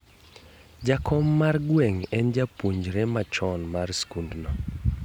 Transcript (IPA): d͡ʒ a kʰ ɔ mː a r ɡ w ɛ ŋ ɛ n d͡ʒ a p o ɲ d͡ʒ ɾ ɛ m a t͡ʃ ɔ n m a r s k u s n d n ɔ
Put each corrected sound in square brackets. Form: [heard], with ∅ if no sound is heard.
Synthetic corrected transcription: d͡ʒ a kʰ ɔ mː a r ɡ w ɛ ŋ ɛ n d͡ʒ a p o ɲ d͡ʒ ɾ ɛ m a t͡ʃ ɔ n m a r s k u [∅] n d n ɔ